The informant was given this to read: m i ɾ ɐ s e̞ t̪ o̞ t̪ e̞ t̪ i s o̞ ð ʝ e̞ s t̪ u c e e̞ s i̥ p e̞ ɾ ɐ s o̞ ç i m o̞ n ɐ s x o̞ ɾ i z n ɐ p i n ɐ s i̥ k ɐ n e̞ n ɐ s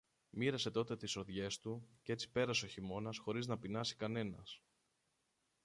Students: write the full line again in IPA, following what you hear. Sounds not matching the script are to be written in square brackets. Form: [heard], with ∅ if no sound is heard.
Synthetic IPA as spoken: m i ɾ ɐ s e̞ t̪ o̞ t̪ e̞ t̪ i s o̞ ð ʝ e̞ s t̪ u c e e̞ [t͡s] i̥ p e̞ ɾ ɐ s o̞ ç i m o̞ n ɐ s x o̞ ɾ i z n ɐ p i n ɐ s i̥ k ɐ n e̞ n ɐ s